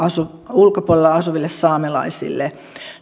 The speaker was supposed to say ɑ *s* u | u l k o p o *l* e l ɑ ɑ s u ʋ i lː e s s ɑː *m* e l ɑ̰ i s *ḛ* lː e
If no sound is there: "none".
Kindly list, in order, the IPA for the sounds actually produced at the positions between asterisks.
s, l, m, ḭ

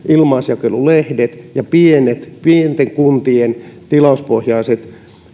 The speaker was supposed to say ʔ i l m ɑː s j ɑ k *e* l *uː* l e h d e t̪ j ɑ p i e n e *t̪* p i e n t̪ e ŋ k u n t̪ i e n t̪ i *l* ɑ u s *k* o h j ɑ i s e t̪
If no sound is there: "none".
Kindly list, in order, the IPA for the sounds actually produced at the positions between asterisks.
e, u, t̪, l, p

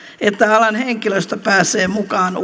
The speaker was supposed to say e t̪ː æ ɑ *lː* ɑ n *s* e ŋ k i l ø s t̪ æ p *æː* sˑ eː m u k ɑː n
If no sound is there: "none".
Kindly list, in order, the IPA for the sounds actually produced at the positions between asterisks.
l, h, æː

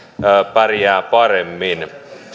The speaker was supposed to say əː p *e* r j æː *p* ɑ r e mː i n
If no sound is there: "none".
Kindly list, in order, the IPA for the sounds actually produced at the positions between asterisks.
æ, p

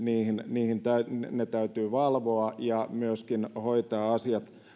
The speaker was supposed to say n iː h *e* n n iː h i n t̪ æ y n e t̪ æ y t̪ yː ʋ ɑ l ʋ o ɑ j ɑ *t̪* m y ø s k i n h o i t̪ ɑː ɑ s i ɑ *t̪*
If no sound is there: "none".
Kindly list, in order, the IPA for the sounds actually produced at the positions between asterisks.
i, none, t̪

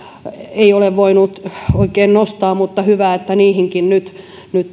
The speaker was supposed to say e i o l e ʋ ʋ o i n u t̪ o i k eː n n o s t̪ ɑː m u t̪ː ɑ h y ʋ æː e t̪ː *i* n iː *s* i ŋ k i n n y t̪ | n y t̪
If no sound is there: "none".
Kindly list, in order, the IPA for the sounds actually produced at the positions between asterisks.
æ, h

